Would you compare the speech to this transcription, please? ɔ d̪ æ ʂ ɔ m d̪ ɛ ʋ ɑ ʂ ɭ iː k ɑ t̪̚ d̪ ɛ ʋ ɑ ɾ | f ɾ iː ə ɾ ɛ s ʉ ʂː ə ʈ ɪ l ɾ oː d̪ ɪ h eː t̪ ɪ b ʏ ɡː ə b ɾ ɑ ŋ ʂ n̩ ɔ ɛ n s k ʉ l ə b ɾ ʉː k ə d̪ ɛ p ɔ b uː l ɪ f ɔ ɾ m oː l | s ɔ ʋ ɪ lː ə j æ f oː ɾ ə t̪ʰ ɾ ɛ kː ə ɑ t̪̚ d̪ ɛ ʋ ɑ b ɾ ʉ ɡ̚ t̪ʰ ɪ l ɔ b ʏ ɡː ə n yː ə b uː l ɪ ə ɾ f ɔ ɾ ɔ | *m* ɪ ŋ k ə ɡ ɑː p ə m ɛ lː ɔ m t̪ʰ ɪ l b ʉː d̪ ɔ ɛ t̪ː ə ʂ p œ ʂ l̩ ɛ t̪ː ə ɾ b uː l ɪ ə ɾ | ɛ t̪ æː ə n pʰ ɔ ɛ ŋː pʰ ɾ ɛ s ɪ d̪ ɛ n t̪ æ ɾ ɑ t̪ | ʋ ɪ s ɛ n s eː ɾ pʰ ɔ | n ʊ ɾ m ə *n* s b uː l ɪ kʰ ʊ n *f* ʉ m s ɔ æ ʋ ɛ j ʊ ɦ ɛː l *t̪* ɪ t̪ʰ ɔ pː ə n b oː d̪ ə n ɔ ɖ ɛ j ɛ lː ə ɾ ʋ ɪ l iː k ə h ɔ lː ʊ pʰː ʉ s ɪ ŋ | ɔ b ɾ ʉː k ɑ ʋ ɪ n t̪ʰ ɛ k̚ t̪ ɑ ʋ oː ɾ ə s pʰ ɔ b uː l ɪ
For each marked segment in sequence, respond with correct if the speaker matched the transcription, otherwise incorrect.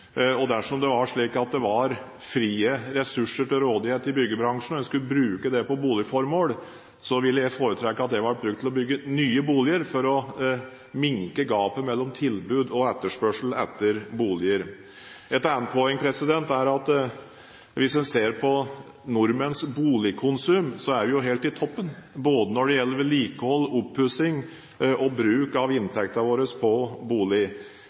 correct, correct, incorrect, correct

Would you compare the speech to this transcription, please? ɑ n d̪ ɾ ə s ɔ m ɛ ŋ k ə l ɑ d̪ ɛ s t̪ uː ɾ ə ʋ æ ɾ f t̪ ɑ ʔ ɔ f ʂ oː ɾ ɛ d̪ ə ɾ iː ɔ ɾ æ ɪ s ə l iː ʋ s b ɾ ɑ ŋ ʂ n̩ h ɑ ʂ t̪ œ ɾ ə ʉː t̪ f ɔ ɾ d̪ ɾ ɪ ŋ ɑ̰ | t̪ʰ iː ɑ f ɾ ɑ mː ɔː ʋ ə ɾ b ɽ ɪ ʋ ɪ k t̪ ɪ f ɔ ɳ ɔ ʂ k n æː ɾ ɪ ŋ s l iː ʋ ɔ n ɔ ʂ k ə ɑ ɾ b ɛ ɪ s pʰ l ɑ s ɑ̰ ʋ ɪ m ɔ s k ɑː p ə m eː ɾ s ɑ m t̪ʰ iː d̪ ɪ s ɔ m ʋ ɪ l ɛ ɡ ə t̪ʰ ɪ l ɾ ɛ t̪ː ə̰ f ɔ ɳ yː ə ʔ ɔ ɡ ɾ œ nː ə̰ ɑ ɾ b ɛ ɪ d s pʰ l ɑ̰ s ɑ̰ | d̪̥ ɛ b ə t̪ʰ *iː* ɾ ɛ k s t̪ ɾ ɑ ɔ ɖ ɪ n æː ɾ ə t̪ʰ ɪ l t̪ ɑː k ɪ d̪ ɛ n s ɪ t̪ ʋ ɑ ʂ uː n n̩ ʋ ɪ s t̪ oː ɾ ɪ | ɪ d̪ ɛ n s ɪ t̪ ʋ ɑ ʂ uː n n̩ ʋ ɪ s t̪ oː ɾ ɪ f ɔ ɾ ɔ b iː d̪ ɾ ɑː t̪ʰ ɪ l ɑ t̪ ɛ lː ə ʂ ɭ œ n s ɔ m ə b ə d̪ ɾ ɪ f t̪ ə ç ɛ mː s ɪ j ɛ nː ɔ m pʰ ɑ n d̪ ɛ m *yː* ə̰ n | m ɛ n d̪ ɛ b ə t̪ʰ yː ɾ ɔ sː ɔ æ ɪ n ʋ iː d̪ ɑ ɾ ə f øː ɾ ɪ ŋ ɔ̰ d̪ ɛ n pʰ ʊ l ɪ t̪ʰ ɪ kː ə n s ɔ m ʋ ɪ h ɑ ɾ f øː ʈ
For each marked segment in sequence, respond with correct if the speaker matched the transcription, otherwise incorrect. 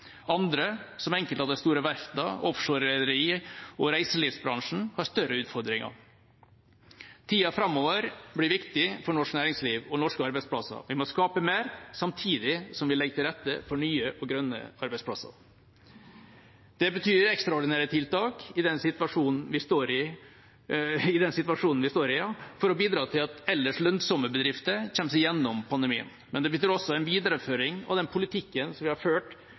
incorrect, incorrect

